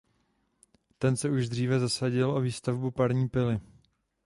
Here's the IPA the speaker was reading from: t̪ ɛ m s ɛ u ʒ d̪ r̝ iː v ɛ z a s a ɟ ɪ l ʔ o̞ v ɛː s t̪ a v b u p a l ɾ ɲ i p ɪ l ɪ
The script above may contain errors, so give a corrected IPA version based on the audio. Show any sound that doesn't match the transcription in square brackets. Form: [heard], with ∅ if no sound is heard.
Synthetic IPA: t̪ ɛ [n] s ɛ u ʒ d̪ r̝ iː v ɛ z a s a ɟ ɪ l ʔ o̞ v [iː] s t̪ a v b u p a [∅] ɾ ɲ [iː] p ɪ l ɪ